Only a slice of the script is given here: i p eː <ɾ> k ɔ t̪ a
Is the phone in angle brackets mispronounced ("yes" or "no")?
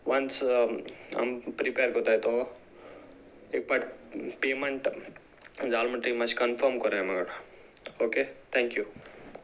no